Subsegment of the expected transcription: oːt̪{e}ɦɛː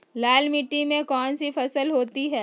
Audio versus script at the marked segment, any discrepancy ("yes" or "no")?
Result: yes